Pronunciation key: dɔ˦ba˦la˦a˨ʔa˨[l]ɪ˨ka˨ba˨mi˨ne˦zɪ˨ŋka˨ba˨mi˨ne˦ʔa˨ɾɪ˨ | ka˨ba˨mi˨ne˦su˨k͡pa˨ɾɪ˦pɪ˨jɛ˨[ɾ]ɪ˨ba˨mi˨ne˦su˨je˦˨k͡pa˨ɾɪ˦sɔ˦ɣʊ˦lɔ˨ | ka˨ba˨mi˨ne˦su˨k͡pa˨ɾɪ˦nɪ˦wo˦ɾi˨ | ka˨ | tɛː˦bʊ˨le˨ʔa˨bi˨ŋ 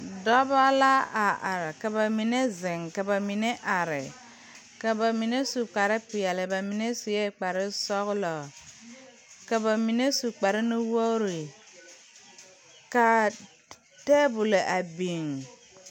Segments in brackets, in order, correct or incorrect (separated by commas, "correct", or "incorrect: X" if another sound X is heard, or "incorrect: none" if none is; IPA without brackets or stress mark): incorrect: ɾ, incorrect: l